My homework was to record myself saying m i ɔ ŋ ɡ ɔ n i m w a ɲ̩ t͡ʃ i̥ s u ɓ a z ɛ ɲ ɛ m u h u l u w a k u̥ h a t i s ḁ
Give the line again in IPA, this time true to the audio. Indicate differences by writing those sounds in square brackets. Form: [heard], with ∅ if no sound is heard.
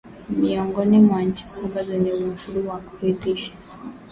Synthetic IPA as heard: m i ɔ ŋ ɡ ɔ n i m w a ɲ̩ t͡ʃ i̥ s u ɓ a z ɛ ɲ ɛ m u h u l u w a k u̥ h [i] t i [ʃ] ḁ

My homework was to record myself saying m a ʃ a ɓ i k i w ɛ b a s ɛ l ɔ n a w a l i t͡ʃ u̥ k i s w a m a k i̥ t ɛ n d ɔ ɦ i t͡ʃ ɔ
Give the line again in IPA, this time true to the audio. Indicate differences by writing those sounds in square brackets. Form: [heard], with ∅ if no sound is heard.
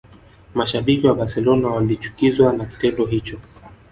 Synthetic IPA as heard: m a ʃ a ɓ i k i w [a] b a s ɛ l ɔ n a w a l i t͡ʃ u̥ k i [z] w a [n] a k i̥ t ɛ n d ɔ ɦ i t͡ʃ ɔ

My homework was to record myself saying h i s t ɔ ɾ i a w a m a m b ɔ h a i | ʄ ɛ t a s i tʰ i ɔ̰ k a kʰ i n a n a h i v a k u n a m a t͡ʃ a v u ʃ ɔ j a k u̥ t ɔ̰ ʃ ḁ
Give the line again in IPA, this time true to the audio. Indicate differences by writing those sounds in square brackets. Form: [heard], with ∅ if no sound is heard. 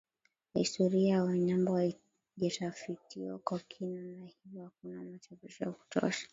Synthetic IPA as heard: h i s t ɔ ɾ i a w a [ɲ] a m b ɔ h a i | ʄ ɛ t a [f] i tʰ i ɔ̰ k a kʰ i n a n a h i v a k u n a m a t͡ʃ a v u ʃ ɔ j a k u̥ t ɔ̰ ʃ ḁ

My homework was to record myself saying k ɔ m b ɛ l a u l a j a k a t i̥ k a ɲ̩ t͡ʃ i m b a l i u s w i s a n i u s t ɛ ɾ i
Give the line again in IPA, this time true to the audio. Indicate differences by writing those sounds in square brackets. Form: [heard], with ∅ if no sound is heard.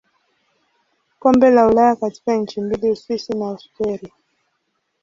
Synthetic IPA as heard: k ɔ m b ɛ l a u l a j a k a t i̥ k a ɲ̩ t͡ʃ i m b [i] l i u s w i s [i] n [a] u s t ɛ ɾ i

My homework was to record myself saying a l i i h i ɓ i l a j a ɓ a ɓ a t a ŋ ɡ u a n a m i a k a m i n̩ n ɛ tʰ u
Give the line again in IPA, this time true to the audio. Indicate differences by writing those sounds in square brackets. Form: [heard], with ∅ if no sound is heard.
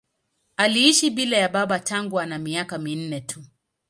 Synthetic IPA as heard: a l i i [ʃ] i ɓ i l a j a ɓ a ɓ a t a ŋ ɡ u a n a m i a k a m i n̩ n ɛ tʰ u

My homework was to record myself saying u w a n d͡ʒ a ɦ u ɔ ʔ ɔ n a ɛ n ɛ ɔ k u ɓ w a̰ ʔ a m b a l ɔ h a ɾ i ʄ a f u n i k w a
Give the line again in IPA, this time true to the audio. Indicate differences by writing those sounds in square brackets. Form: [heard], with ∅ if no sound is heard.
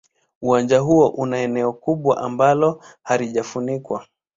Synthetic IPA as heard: u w a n d͡ʒ a ɦ u ɔ ʔ [u] n a ɛ n ɛ ɔ k u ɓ w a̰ ʔ a m b a l ɔ h a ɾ i ʄ a f u n i k w a

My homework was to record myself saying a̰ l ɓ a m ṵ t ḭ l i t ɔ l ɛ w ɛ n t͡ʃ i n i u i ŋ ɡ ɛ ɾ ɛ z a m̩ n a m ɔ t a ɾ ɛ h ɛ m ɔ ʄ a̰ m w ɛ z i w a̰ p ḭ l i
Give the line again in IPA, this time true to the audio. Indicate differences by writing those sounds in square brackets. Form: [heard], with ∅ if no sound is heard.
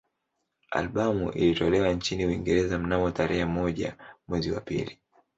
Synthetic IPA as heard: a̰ l ɓ a m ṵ [ʔ] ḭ l i t ɔ l ɛ w [a] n t͡ʃ i n i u i ŋ ɡ ɛ ɾ ɛ z a m̩ n a m ɔ t a ɾ ɛ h ɛ m ɔ ʄ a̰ m w ɛ z i w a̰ p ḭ l i

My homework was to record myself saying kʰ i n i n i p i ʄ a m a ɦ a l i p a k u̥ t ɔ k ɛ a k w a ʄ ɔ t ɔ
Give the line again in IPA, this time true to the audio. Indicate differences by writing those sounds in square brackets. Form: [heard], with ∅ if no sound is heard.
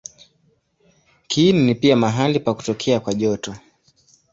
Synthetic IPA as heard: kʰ i n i n i p i [∅] a m a ɦ a l i p a k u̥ t ɔ [kʰ] ɛ a k w a ʄ ɔ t ɔ

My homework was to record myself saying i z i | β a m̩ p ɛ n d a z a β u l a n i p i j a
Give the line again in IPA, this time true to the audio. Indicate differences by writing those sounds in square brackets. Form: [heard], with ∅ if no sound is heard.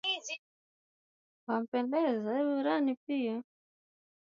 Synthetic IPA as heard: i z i | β a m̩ p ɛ n d [ɛ] z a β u [ɾ] a n i p i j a

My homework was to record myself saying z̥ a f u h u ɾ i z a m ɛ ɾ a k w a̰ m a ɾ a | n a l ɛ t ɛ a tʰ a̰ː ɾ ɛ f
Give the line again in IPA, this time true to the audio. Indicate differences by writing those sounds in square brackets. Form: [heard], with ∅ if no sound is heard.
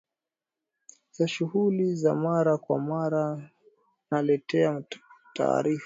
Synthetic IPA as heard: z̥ a [ʃ] u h u [l] i z a m [a] ɾ a k w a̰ m a ɾ a | n a l ɛ t ɛ a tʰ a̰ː ɾ [i] f

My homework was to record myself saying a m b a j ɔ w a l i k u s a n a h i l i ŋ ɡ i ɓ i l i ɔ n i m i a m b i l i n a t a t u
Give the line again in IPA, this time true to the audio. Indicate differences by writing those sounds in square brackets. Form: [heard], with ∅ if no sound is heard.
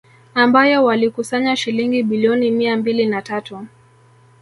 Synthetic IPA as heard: a m b a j ɔ w a l i k u s a [ɲ] a [ʃ] i l i ŋ ɡ i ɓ i l i ɔ n i m i a m b i l i n a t a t u

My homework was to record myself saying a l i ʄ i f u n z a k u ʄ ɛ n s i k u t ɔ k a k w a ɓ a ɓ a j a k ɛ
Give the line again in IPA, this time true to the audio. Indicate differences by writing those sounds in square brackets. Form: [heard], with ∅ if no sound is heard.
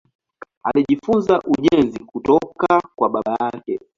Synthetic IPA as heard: a l i ʄ i f u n z a [ʔ] u ʄ ɛ n [z] i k u t ɔ k a k w a ɓ a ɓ a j a k ɛ

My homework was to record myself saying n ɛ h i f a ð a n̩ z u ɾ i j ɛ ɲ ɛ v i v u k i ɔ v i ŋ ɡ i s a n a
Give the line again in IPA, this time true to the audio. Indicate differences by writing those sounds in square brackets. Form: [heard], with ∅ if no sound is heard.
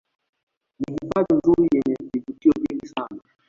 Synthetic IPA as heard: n [i] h i f a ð [i] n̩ z u ɾ i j ɛ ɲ ɛ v i v u [t] i ɔ v i ŋ ɡ i s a n a

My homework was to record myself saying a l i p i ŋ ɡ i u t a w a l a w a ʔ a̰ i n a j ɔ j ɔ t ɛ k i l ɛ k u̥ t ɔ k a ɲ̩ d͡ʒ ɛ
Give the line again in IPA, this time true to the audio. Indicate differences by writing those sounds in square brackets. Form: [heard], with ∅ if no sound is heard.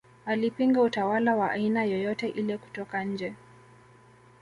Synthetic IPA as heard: a l i p i ŋ ɡ [a] u t a w a l a w a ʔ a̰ i n a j ɔ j ɔ t ɛ [ʔ] i l ɛ k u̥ t ɔ k a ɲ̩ d͡ʒ ɛ

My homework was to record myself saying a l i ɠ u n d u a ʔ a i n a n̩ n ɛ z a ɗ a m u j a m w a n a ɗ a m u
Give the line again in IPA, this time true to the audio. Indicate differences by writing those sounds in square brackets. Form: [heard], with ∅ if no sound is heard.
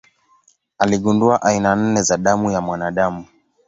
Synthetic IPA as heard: a l i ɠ u n d u a ʔ a i n a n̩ n ɛ z a ɗ a m u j a m w a n a ɗ a m u

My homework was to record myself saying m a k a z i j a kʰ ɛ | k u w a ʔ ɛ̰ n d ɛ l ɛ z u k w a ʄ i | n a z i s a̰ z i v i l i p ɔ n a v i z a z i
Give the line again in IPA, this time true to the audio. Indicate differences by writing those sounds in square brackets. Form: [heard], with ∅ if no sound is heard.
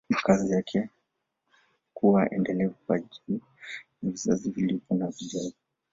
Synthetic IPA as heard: m a k a z i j a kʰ ɛ | k u w a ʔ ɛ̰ n d ɛ l ɛ [v] u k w a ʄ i | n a [v] i [z] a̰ z i v i l i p ɔ n a v i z a z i

